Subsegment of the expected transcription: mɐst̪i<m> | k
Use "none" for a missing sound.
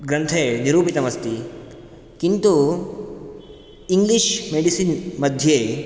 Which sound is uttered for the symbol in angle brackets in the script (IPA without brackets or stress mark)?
none